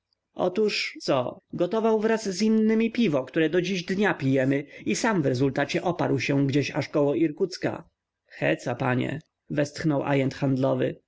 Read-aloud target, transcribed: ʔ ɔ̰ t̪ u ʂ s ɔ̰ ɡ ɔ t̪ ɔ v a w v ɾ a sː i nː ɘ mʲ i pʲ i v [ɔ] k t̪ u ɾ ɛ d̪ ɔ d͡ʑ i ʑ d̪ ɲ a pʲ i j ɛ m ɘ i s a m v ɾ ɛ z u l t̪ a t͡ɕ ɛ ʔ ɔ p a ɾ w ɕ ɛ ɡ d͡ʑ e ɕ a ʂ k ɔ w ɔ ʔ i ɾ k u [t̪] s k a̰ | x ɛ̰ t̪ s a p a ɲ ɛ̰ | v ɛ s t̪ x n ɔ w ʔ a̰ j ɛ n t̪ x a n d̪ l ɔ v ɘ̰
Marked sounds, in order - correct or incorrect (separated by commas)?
correct, correct